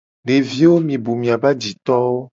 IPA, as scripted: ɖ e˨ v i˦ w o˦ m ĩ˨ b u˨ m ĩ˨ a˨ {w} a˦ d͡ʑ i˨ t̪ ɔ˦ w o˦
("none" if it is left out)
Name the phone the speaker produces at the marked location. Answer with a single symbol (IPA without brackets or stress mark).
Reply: b